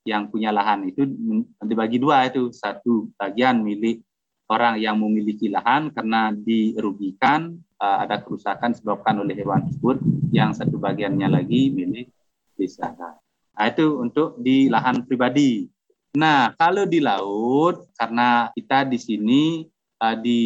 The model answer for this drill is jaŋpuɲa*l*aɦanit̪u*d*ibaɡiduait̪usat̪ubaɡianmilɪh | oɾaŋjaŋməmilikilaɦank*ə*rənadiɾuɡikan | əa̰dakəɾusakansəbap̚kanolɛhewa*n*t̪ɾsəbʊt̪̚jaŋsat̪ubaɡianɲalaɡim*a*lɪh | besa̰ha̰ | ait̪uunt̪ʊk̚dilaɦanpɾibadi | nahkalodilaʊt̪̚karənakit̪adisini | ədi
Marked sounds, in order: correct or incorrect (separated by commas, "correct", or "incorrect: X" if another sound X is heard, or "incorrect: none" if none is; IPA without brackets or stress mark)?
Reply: correct, correct, incorrect: a, correct, incorrect: i